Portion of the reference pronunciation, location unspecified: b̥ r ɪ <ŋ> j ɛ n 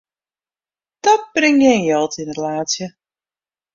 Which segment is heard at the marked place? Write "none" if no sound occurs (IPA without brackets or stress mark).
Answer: ŋ